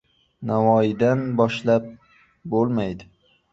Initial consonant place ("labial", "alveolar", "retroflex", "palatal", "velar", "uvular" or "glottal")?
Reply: alveolar